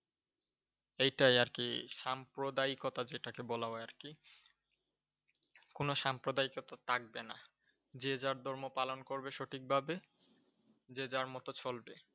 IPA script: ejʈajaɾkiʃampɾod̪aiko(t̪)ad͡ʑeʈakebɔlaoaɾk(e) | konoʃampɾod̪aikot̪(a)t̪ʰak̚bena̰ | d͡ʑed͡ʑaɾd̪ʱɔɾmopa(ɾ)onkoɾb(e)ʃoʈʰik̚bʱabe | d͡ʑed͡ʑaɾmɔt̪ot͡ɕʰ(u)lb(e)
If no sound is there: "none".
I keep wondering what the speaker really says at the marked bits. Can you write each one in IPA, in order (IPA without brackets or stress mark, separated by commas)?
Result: t̪, i, a, l, e, o, e